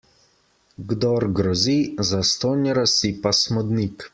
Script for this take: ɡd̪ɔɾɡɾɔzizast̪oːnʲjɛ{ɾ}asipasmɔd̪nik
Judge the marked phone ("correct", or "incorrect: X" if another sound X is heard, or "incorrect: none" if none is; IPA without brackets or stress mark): correct